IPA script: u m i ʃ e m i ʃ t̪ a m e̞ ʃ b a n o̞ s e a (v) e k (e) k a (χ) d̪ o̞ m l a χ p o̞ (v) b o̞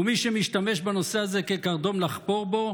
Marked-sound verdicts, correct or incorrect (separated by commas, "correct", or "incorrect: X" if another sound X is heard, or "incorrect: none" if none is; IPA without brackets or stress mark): incorrect: z, correct, incorrect: ʁ, incorrect: ʁ